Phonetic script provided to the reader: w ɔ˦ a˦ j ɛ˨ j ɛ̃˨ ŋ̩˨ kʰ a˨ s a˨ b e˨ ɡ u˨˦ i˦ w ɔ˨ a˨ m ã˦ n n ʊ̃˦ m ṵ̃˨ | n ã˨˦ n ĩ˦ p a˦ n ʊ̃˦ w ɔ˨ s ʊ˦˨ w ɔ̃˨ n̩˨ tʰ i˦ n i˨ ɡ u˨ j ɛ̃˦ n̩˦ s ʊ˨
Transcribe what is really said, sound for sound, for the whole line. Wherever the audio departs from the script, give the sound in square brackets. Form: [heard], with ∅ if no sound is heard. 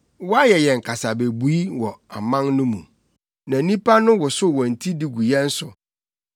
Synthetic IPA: w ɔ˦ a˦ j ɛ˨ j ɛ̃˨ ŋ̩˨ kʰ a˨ s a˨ b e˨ [b] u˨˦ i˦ w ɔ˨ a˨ m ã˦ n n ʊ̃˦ m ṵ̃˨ | n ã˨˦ n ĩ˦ p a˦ n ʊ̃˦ w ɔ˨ s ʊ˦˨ w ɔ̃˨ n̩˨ tʰ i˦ [d] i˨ ɡ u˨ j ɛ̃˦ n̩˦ s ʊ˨